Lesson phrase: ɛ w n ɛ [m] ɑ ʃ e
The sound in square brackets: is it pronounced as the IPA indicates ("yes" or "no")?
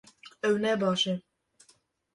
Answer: no